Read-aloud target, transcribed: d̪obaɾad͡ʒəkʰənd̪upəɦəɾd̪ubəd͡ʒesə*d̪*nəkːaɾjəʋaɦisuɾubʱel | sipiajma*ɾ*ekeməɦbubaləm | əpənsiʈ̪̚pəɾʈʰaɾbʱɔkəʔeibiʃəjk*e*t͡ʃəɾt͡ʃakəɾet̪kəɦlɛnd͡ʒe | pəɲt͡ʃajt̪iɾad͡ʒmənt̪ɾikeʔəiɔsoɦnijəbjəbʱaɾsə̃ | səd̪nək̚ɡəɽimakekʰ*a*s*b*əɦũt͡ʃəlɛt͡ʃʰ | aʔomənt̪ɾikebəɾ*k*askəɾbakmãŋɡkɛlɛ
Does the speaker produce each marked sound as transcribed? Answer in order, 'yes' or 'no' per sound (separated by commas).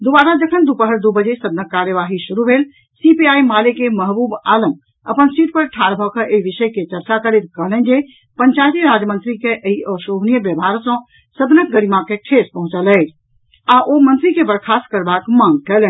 yes, no, yes, no, no, no